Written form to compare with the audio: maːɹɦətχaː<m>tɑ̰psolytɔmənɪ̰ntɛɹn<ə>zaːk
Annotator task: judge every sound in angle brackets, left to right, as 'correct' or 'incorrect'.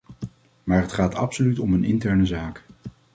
incorrect: none, correct

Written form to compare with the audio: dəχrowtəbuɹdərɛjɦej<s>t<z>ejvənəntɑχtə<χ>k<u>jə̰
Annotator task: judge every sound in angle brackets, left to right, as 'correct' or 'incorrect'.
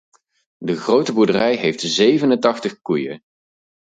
incorrect: f, correct, correct, correct

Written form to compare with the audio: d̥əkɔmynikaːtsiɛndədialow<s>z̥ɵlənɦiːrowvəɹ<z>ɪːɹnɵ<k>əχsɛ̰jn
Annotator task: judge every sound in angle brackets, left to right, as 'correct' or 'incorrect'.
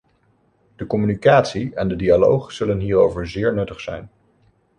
incorrect: χ, correct, incorrect: t

